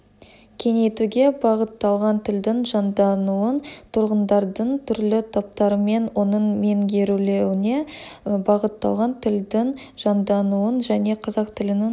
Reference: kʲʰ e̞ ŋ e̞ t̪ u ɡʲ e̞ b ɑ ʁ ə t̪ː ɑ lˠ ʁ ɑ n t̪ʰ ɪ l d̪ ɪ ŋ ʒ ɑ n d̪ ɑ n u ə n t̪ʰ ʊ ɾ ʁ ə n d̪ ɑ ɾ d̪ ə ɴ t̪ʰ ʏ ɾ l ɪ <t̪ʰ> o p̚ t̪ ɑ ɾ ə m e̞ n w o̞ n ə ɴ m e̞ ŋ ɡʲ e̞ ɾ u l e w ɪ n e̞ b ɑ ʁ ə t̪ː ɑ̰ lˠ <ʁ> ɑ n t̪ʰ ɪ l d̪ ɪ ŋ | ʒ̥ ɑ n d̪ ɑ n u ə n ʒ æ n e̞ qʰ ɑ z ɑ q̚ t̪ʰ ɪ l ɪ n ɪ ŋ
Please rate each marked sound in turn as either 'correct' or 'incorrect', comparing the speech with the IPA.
correct, correct

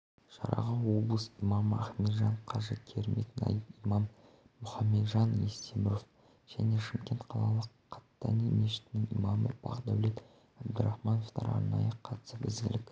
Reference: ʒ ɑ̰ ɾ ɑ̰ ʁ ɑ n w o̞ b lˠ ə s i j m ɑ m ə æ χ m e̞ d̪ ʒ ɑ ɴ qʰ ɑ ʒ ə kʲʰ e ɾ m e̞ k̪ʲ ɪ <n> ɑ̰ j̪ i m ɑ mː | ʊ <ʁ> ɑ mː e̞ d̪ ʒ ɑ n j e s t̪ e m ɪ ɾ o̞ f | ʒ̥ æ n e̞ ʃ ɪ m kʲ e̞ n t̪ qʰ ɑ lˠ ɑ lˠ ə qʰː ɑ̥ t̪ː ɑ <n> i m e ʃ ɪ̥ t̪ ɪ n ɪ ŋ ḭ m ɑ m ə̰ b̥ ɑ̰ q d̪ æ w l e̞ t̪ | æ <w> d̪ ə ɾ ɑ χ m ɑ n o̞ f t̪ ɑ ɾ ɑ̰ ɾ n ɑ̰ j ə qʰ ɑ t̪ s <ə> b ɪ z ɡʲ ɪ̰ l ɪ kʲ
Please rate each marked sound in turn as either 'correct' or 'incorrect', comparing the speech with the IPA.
correct, incorrect: χ, correct, incorrect: b, correct

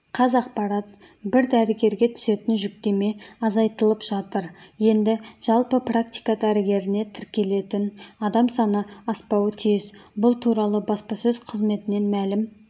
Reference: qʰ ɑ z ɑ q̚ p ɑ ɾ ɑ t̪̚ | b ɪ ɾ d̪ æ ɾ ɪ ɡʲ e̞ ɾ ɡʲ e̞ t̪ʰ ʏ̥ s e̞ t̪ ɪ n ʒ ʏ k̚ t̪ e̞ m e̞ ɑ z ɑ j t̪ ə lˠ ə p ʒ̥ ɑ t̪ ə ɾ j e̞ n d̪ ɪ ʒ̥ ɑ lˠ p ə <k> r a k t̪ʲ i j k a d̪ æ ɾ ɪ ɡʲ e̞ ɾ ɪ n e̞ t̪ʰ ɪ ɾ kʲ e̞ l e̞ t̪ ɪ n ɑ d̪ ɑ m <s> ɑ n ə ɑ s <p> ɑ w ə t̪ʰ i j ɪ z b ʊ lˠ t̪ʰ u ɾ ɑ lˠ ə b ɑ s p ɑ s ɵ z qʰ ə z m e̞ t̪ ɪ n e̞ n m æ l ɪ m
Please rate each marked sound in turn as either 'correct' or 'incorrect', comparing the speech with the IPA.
incorrect: p, correct, correct

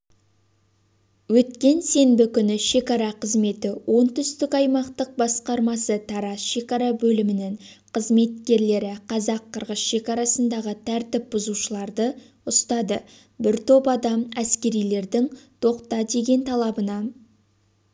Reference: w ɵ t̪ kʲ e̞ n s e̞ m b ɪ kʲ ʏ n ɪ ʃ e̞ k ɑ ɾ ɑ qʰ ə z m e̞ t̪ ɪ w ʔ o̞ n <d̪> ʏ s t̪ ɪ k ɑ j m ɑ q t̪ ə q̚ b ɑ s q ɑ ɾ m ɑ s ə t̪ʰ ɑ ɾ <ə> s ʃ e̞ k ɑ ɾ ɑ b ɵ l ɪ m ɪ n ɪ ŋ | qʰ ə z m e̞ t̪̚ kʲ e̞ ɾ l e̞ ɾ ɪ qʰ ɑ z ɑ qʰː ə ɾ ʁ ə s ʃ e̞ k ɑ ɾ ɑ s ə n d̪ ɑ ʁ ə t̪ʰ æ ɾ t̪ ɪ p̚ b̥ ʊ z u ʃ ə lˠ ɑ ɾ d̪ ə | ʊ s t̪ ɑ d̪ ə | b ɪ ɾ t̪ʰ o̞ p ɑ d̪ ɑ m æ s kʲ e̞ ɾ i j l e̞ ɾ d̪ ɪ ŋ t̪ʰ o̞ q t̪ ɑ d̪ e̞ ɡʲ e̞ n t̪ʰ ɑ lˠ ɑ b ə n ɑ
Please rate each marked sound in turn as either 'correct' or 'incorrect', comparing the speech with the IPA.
incorrect: t̪, incorrect: ɑ

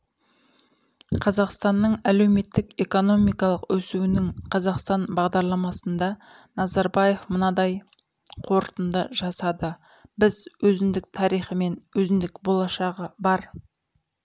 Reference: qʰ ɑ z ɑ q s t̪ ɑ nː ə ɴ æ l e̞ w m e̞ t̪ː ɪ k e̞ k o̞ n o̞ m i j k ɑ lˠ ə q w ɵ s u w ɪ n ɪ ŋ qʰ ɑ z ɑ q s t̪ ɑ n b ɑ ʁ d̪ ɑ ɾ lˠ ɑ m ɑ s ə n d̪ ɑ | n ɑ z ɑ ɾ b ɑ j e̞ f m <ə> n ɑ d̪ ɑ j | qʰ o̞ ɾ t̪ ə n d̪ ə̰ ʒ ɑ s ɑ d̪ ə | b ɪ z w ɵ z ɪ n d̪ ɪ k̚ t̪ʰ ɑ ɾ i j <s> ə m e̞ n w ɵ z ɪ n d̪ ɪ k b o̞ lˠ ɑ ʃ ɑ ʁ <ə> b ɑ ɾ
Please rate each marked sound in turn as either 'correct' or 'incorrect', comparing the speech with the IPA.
correct, incorrect: χ, correct

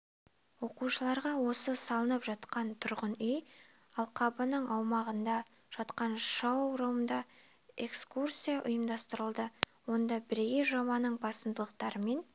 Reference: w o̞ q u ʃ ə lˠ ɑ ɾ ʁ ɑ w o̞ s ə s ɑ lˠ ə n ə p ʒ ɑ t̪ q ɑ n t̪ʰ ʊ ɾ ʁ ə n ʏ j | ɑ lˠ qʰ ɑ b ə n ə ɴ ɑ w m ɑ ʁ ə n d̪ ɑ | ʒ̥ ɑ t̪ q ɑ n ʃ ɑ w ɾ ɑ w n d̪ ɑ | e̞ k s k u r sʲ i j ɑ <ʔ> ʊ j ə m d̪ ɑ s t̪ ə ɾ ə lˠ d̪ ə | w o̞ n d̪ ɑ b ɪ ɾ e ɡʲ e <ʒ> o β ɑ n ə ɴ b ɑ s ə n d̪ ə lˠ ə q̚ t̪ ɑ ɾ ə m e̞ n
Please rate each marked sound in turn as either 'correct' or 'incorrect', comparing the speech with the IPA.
correct, correct

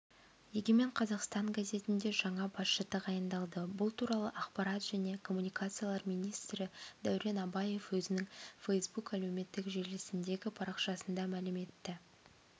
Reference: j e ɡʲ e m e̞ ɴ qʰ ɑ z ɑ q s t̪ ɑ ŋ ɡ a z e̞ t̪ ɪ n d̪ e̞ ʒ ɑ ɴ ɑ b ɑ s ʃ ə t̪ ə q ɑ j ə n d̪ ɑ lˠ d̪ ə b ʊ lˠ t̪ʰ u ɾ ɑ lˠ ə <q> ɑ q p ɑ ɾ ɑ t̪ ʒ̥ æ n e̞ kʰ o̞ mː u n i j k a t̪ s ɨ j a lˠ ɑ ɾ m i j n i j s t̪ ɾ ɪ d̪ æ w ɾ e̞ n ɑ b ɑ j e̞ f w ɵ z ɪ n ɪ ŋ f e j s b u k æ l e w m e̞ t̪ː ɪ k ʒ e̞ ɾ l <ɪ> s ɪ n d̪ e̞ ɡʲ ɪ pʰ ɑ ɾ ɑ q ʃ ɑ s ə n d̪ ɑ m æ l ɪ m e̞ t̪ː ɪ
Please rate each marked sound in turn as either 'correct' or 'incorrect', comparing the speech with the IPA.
incorrect: ʔ, correct

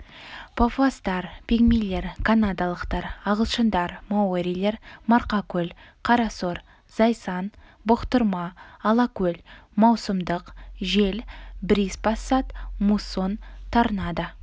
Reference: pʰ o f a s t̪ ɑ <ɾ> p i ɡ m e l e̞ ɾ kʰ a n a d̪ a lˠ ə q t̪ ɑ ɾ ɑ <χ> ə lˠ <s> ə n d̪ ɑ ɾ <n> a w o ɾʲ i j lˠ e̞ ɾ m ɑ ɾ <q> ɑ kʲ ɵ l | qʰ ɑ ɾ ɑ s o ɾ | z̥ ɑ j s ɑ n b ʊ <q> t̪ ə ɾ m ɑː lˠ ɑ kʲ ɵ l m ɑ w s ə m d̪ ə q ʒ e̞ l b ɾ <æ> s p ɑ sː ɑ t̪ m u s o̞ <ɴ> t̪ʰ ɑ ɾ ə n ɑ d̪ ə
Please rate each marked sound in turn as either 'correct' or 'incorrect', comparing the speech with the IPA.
correct, incorrect: ʁ, incorrect: ʃ, incorrect: m, correct, correct, incorrect: i, incorrect: n

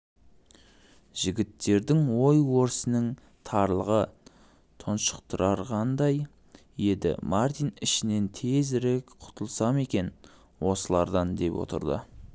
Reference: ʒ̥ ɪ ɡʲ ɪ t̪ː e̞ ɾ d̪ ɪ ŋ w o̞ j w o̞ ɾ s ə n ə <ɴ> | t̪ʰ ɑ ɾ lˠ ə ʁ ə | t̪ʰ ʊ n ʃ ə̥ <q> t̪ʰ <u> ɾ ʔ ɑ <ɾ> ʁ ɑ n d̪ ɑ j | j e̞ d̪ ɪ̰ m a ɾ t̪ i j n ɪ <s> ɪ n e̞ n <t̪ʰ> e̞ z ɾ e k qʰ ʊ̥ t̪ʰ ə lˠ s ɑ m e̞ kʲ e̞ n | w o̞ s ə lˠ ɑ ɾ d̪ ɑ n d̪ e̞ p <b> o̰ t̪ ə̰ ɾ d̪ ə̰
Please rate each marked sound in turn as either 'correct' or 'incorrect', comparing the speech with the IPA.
incorrect: ŋ, correct, incorrect: ʊ, correct, incorrect: ʃ, correct, incorrect: w

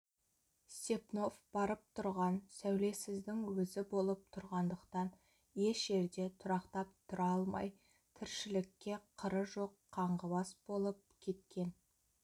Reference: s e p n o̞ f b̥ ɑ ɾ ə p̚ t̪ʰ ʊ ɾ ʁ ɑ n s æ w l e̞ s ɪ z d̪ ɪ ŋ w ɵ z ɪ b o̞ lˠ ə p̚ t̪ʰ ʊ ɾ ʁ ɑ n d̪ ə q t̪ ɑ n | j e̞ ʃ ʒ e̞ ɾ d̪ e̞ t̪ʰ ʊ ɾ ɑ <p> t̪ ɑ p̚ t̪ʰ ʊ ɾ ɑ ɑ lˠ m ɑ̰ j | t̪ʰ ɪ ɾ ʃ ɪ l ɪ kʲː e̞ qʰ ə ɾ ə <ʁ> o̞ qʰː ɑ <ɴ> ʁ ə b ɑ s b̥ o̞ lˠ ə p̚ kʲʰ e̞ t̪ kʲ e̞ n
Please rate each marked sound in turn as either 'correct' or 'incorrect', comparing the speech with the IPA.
incorrect: q, incorrect: ʒ, correct

